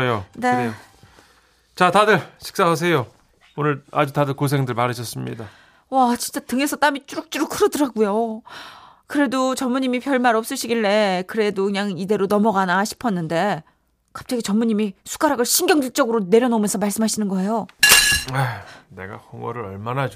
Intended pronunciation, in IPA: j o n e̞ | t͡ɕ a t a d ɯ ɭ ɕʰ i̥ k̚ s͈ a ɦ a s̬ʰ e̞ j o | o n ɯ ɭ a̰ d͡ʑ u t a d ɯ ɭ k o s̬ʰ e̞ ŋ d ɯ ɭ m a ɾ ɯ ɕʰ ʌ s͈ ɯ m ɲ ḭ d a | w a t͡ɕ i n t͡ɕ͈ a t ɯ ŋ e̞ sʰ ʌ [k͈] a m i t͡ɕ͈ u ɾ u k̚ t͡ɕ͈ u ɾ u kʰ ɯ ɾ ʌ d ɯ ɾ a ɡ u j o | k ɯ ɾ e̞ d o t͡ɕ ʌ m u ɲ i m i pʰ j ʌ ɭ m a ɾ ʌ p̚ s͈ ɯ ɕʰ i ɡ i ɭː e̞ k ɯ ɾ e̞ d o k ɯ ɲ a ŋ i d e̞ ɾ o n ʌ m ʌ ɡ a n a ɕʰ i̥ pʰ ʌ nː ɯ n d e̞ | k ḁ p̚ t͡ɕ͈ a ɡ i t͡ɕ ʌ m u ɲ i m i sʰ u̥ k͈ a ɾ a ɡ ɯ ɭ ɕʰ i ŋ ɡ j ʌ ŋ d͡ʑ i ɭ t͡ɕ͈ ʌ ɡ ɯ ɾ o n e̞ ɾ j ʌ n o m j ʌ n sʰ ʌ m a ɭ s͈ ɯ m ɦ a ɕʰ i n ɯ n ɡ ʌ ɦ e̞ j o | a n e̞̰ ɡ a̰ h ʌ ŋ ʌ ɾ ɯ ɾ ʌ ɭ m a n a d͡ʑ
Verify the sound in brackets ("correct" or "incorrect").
incorrect